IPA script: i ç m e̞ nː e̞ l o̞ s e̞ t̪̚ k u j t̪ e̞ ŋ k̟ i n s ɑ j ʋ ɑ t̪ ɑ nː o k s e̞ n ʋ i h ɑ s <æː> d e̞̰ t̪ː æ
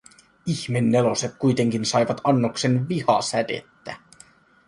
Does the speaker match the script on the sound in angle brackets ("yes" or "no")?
no